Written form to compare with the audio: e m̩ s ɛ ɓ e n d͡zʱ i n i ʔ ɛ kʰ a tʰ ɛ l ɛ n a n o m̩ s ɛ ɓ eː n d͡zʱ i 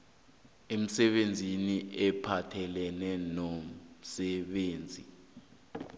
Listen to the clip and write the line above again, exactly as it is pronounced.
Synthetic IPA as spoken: e m̩ s ɛ ɓ e n d͡zʱ i n i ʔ ɛ pʰ a tʰ ɛ l ɛ n ɛ n o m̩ s ɛ ɓ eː n d͡zʱ i